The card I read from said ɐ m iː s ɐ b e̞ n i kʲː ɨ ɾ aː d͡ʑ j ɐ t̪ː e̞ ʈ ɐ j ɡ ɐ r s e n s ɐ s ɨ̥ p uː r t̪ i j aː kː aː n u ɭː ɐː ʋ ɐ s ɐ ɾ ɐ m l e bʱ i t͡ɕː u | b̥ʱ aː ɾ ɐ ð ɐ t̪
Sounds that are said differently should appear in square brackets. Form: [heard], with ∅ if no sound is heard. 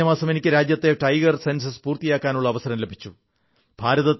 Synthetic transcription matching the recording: ɐ m [aː] s ɐ [m] e̞ n i kʲː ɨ ɾ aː d͡ʑ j ɐ t̪ː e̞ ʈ ɐ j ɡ ɐ r s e n s ɐ s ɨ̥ p uː r t̪ i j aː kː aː n u ɭː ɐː ʋ ɐ s ɐ ɾ ɐ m l e bʱ i t͡ɕː u | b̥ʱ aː ɾ ɐ ð ɐ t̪